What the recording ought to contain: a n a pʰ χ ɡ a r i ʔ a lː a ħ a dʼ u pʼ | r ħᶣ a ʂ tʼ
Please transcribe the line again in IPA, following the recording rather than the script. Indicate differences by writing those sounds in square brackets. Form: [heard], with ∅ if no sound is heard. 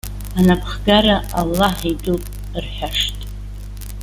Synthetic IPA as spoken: a n a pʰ χ ɡ a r [a] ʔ a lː a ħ [i] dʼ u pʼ | r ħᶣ a ʂ tʼ